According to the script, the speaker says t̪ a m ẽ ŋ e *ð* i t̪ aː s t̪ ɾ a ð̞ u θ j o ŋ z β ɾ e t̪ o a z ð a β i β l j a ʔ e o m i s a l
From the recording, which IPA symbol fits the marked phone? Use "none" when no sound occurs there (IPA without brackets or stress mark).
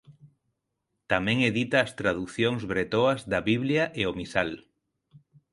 ð